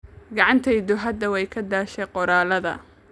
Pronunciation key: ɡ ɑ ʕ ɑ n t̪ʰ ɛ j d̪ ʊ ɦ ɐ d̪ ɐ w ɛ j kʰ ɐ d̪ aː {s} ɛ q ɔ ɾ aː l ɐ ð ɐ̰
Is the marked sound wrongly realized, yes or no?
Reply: yes